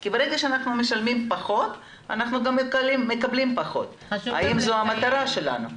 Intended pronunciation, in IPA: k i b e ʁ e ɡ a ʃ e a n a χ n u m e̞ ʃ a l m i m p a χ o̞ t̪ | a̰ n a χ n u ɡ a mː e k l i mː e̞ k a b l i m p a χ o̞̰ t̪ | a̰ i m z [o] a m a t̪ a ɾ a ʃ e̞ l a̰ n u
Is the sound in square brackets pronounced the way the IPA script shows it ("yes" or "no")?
yes